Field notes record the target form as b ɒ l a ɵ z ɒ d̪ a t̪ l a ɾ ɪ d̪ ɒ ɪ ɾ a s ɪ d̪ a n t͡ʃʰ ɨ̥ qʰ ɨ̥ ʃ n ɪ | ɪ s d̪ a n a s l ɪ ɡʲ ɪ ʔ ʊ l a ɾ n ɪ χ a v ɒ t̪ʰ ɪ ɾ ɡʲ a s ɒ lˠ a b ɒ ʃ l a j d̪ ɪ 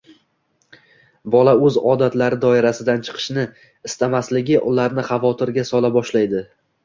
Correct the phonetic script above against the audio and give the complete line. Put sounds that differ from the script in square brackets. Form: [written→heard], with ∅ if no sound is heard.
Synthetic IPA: b ɒ l a ɵ z ɒ d̪ a t̪ l a ɾ ɪ d̪ ɒ ɪ ɾ a s ɪ d̪ a n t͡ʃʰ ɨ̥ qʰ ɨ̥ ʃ n ɪ | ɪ s [d̪→t̪] a [n→m] a s l ɪ ɡʲ ɪ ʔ ʊ l a ɾ n ɪ χ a v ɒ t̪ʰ ɪ ɾ ɡʲ a s ɒ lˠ a b ɒ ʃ l a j d̪ ɪ